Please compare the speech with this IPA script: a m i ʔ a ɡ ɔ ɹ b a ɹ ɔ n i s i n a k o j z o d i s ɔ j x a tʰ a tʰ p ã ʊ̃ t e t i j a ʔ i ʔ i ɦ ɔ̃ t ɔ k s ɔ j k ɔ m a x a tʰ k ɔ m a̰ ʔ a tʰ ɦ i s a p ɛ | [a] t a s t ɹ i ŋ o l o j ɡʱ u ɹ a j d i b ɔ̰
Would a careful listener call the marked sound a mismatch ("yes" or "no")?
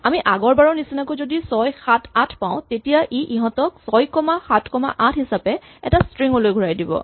yes